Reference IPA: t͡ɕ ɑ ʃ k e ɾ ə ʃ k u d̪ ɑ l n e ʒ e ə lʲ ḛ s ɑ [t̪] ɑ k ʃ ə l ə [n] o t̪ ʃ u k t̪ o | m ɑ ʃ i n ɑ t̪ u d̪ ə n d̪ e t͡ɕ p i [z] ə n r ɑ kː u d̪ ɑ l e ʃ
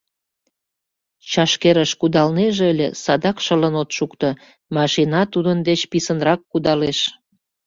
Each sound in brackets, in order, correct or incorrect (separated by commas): incorrect, correct, incorrect